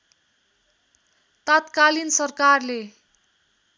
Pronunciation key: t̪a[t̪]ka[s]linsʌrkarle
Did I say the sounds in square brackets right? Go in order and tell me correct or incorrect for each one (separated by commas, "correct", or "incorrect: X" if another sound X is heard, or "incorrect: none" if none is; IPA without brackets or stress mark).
correct, incorrect: none